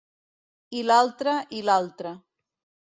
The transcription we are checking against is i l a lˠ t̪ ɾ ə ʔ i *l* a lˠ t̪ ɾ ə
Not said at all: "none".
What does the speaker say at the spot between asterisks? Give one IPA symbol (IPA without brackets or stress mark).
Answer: l